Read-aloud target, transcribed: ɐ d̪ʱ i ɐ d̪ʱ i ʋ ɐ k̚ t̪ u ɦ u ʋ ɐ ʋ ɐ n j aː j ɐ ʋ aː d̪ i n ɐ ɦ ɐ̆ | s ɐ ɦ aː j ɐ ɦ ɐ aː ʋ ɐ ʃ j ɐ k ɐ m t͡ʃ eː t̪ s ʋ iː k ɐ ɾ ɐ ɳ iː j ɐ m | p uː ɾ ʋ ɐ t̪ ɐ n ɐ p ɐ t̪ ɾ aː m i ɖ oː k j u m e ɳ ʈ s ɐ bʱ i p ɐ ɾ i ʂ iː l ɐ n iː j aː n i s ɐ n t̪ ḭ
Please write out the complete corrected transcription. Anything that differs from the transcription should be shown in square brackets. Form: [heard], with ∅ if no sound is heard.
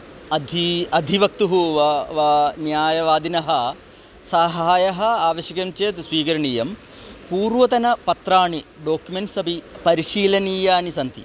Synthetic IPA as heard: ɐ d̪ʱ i ɐ d̪ʱ i ʋ ɐ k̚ t̪ u ɦ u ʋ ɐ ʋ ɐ n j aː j ɐ ʋ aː d̪ i n ɐ ɦ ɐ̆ | s ɐ ɦ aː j ɐ ɦ ɐ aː ʋ ɐ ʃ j ɐ k ɐ m t͡ʃ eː t̪ s ʋ iː k ɐ ɾ ɐ ɳ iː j ɐ m | p uː ɾ ʋ ɐ t̪ ɐ n ɐ p ɐ t̪ ɾ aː [ɳ] i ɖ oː k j u m e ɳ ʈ s ɐ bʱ i p ɐ ɾ i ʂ iː l ɐ n iː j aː n i s ɐ n t̪ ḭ